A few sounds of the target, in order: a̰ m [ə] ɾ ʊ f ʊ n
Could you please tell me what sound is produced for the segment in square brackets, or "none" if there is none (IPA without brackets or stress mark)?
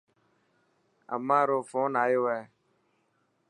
a